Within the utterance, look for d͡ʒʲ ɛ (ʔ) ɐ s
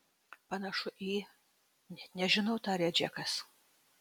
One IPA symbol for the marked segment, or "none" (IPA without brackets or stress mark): k